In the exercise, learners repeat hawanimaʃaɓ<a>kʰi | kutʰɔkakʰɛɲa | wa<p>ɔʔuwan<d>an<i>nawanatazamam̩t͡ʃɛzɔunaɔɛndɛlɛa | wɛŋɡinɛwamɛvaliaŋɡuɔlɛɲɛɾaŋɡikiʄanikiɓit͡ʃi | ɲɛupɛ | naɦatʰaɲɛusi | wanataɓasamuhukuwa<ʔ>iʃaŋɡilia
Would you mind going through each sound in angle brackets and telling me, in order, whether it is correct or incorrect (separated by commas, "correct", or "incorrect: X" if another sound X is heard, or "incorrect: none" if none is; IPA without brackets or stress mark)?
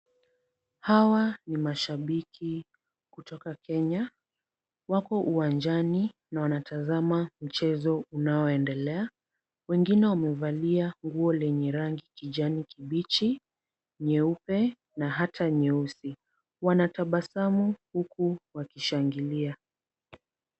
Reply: incorrect: i, incorrect: k, incorrect: d͡ʒ, correct, incorrect: k